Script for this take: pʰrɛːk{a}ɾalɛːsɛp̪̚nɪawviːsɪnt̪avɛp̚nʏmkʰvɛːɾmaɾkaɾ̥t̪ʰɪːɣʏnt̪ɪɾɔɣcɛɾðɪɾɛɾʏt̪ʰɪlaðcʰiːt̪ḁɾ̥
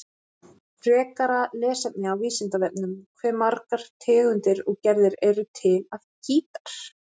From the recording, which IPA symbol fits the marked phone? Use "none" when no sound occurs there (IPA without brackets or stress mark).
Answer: a